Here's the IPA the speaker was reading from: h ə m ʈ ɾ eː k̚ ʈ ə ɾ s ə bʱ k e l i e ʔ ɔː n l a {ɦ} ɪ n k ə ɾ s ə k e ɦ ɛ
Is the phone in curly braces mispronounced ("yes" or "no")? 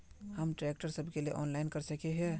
yes